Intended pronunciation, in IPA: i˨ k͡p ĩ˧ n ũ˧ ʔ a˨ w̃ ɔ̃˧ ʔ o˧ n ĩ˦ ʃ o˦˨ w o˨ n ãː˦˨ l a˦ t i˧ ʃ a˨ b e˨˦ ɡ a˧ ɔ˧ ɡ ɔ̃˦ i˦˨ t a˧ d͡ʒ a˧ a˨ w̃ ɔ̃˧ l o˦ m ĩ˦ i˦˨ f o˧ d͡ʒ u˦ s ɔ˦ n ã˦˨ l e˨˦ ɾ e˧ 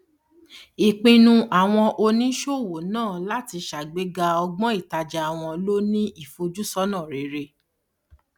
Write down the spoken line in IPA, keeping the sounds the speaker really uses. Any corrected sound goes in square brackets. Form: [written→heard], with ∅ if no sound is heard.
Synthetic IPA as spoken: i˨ k͡p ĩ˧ n ũ˧ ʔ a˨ w̃ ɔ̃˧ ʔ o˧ n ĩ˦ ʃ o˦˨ w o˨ n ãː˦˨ l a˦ t i˧ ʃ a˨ [b→ɡ͡b] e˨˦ ɡ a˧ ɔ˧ [ɡ→ɡ͡b] ɔ̃˦ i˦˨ t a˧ d͡ʒ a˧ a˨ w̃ ɔ̃˧ l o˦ [m→n] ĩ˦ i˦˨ f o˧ d͡ʒ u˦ s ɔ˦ n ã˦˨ [l→ɾ] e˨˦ ɾ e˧